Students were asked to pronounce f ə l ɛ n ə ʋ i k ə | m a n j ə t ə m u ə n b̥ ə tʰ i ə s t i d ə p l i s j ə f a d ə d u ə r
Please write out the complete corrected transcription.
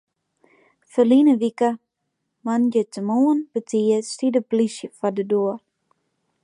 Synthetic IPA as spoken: f ə l i n ə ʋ i k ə | m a n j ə t ə m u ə n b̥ ə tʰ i ə s t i d ə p l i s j ə f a d ə d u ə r